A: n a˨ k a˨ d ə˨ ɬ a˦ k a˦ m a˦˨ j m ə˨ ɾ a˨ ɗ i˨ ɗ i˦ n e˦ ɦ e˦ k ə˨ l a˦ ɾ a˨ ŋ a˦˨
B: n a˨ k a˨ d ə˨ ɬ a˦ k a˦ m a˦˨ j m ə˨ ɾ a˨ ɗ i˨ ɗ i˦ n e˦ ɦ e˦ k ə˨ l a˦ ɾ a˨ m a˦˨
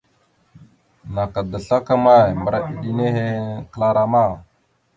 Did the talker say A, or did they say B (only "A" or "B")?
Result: B